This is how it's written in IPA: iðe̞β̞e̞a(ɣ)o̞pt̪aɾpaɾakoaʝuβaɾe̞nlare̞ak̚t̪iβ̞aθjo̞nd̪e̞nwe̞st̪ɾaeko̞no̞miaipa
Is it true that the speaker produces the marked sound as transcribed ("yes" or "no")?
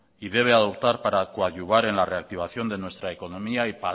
no